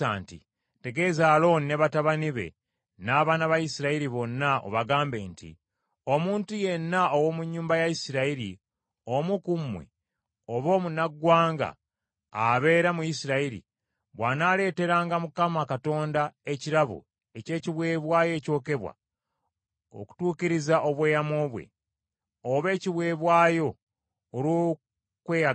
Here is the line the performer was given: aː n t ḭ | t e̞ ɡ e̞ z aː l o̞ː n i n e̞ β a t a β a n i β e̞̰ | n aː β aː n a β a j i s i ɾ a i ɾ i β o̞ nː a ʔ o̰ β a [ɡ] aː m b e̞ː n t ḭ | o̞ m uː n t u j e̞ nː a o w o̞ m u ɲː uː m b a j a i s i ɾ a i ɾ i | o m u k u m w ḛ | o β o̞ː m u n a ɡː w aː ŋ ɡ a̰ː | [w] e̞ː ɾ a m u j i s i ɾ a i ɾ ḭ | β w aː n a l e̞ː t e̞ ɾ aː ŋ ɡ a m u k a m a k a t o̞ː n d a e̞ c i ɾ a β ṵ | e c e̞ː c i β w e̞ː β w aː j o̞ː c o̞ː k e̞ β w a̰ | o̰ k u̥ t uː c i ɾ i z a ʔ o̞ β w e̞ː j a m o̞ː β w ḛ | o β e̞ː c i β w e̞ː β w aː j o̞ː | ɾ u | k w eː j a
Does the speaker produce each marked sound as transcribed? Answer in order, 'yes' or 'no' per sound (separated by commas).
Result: yes, no